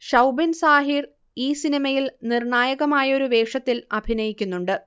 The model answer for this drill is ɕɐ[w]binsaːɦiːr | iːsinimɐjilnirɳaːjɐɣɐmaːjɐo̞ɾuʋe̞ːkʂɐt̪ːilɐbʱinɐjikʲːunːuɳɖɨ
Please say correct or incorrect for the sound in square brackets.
correct